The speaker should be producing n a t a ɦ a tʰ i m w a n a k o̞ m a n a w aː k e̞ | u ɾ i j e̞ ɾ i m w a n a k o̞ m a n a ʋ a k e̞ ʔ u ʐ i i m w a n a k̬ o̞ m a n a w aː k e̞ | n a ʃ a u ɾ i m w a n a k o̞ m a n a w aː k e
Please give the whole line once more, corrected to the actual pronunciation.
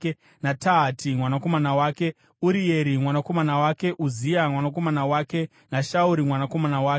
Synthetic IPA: n a t a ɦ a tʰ i m w a n a k o̞ m a n a w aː k e̞ | u ɾ i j e̞ ɾ i m w a n a k o̞ m a n a w a k e̞ ʔ u z i a m w a n a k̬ o̞ m a n a w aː k e̞ | n a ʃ a u ɾ i m w a n a k o̞ m a n a w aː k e

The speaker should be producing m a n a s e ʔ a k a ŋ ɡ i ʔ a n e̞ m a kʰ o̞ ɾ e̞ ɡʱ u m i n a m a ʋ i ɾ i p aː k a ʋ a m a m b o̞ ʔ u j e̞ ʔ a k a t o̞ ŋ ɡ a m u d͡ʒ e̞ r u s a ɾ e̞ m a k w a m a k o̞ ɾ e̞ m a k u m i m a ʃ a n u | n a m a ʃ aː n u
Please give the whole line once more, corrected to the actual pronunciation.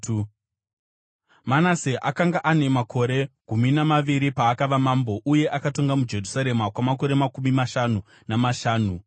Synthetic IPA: m a n a s e ʔ a k a ŋ ɡ a ʔ a n e̞ m a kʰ o̞ ɾ e̞ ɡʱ u m i n a m a ʋ i ɾ i p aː k a ʋ a m a m b o̞ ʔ u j e̞ ʔ a k a t o̞ ŋ ɡ a m u d͡ʒ e̞ r u s a ɾ e̞ m a k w a m a k o̞ ɾ e̞ m a k u m i m a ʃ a n u | n a m a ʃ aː n u

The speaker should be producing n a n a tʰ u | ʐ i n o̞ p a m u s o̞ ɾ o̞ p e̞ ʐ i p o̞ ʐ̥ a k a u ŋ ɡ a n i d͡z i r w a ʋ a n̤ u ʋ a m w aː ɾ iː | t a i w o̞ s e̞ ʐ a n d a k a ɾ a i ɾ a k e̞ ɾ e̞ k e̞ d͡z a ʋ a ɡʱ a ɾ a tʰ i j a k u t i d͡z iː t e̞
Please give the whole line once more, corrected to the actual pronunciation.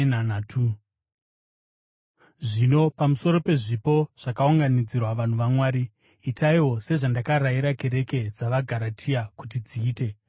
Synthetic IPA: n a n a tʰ u | ʐ i n o̞ p a m u s o̞ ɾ o̞ p e̞ ʐ i p o̞ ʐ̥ a k a u ŋ ɡ a n i d͡z i r w a ʋ a n̤ u ʋ a m w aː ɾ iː | t a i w o̞ s e̞ ʐ a n d a k a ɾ a i ɾ a k e̞ ɾ e̞ k e̞ d͡z a ʋ a ɡʱ a ɾ a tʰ i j a k u t i d͡z iː t e̞

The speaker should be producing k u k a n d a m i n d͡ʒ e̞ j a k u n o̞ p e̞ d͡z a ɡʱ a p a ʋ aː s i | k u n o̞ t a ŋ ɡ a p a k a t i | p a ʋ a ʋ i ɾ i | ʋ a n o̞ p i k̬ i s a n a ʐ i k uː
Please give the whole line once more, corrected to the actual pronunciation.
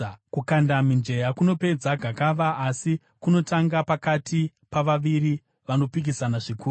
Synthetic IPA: k u k a n d a m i n d͡ʒ e̞ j a k u n o̞ p e̞ d͡z a ɡʱ a k a ʋ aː s i | k u n o̞ t a ŋ ɡ a p a k a t i | p a ʋ a ʋ i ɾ i | ʋ a n o̞ p i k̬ i s a n a ʐ i k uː

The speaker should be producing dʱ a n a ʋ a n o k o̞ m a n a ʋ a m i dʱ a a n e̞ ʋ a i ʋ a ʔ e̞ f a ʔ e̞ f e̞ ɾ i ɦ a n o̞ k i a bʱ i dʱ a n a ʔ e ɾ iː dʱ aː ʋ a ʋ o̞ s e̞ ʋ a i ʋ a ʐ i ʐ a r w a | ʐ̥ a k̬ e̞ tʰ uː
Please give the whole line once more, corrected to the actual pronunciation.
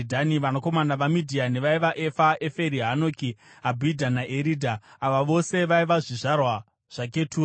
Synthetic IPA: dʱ a n i ʋ a n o k o̞ m a n a ʋ a m i dʱ i a n e̞ ʋ a i ʋ a ʔ e̞ f a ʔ e̞ f e̞ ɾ i ɦ a n o̞ k i a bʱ i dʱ a n a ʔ e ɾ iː dʱ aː ʋ a ʋ o̞ s e̞ ʋ a i ʋ a ʐ i ʐ a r w a | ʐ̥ a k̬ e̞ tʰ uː

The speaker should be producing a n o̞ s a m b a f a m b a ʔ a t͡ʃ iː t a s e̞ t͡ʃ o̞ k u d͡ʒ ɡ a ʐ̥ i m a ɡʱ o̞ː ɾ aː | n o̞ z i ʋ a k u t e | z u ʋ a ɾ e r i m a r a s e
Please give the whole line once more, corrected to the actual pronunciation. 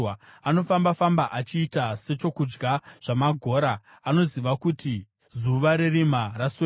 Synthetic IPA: a n o̞ f a m b a f a m b a ʔ a t͡ʃ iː t a s e̞ t͡ʃ o̞ k u d͡ʒ ɡ a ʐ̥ a m a ɡʱ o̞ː ɾ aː | n o̞ z i ʋ a k u t i | z u ʋ a ɾ e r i m a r a s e

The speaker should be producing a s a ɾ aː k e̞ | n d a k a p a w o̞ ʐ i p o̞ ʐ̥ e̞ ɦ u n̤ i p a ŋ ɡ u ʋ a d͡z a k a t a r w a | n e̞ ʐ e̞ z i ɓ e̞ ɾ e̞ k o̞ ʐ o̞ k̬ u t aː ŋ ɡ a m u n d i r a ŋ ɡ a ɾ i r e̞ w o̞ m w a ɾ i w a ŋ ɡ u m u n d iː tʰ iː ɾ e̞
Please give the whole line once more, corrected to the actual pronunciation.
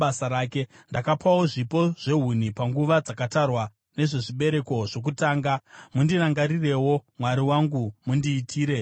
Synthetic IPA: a s a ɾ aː k e̞ | n d a k a p a w o̞ ʐ i p o̞ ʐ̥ e̞ ɦ u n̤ i p a ŋ ɡ u ʋ a d͡z a k a t a r w a | n e̞ ʐ e̞ ʐ i ɓ e̞ ɾ e̞ k o̞ ʐ o̞ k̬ u t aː ŋ ɡ a m u n d i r a ŋ ɡ a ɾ i r e̞ w o̞ m w a ɾ i w a ŋ ɡ u m u n d iː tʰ iː ɾ e̞

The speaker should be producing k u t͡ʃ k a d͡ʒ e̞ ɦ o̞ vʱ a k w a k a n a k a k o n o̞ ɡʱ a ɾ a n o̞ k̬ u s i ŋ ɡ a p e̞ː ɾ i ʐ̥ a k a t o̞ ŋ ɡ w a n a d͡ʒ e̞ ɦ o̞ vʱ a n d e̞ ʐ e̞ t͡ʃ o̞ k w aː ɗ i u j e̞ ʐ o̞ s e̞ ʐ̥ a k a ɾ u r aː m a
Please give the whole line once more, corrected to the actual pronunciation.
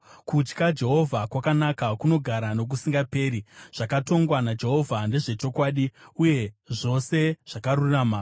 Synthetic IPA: k u t͡ʃ k a d͡ʒ e̞ ɦ o̞ vʱ a k w a k a n a k a k u n o̞ ɡʱ a ɾ a n o̞ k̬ u s i ŋ ɡ a p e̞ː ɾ i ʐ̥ a k a t o̞ ŋ ɡ w a n a d͡ʒ e̞ ɦ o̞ vʱ a n d e̞ ʐ e̞ t͡ʃ o̞ k w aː ɗ i u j e̞ ʐ o̞ s e̞ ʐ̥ a k a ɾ u r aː m a

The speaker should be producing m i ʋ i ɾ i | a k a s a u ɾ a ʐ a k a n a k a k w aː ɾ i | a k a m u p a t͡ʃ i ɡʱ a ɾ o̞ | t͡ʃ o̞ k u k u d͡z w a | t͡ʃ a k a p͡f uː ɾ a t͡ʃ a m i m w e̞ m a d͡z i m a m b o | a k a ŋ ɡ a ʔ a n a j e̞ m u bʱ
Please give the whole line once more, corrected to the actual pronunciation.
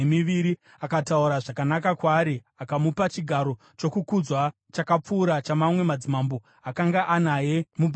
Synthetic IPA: m i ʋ i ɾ i | a k a t a u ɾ a ʐ a k a n a k a k w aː ɾ i | a k a m u p a t͡ʃ i ɡʱ a ɾ o̞ | t͡ʃ o̞ k u k u d͡z w a | t͡ʃ a k a p͡f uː ɾ a t͡ʃ a m a m w e̞ m a d͡z i m a m b o | a k a ŋ ɡ a ʔ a n a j e̞ m u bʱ

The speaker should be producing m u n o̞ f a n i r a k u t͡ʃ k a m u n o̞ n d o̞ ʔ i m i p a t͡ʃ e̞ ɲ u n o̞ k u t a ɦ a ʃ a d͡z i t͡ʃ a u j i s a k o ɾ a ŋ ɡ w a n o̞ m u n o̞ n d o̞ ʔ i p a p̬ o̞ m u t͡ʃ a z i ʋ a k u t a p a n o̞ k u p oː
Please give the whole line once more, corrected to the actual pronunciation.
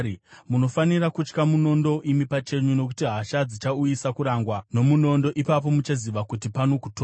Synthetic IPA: m u n o̞ f a n i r a k u t͡ʃ k a m u n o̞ n d o̞ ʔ i m i p a t͡ʃ e̞ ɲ u n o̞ k u t i ɦ a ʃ a d͡z i t͡ʃ a u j i s a k u ɾ a ŋ ɡ w a n o̞ m u n o̞ n d o̞ ʔ i p a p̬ o̞ m u t͡ʃ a z i ʋ a k u t i p a n o̞ k u t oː

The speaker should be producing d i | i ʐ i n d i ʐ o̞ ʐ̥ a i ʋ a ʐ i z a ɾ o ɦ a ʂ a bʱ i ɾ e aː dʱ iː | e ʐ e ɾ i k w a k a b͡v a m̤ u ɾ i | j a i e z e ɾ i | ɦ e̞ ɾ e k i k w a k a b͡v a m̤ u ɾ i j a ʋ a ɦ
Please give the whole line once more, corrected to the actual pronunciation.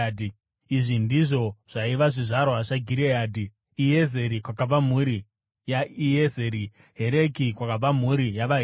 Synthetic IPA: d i | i ʐ i n d i ʐ o̞ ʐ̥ a i ʋ a ʐ i ʐ a ɾ o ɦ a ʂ a ɡʱ i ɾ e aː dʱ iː | e z e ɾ i k w a k a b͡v a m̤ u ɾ i | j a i e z e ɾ i | ɦ e̞ ɾ e k i k w a k a b͡v a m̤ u ɾ i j a ʋ a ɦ

